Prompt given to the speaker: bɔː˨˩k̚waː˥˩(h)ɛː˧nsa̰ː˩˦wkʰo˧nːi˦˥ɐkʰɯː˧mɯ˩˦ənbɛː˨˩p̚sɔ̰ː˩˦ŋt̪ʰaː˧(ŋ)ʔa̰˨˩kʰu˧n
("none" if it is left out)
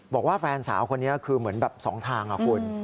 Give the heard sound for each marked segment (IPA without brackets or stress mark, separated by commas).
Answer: f, ŋ